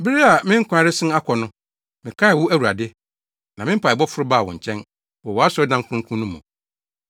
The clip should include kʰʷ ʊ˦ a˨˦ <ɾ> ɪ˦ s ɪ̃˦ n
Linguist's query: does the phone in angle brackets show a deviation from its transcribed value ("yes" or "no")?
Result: no